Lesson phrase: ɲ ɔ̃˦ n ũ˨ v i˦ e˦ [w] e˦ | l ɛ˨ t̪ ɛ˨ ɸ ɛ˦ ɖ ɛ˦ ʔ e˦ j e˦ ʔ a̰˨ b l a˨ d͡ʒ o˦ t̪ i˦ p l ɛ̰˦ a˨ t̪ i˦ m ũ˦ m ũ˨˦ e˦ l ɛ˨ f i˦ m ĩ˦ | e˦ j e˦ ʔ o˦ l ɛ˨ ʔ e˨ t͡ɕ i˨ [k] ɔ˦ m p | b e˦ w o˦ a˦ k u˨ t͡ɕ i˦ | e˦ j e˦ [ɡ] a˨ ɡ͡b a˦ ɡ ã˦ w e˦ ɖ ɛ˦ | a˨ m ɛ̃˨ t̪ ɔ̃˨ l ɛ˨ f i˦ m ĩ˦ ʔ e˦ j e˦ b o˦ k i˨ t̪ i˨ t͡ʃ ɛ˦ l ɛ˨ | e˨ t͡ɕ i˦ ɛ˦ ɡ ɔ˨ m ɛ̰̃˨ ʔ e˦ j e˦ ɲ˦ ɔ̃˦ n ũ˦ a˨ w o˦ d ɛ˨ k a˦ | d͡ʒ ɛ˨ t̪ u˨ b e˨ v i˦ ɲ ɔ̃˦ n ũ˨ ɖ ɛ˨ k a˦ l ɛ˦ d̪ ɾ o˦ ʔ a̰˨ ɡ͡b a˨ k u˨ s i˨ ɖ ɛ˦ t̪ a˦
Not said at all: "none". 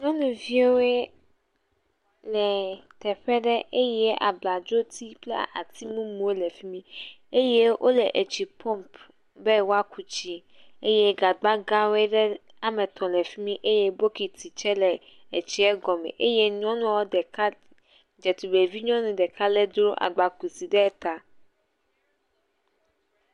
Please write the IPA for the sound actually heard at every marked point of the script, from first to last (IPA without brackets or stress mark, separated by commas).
w, p, ɡ